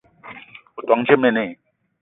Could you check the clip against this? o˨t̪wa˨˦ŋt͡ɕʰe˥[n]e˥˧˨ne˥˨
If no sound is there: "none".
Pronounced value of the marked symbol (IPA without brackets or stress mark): m